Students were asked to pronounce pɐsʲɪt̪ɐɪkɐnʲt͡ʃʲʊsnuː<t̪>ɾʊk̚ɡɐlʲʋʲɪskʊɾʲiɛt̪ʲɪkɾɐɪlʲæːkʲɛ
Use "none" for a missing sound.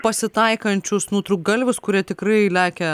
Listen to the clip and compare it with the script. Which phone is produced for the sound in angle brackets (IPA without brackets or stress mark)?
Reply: t̪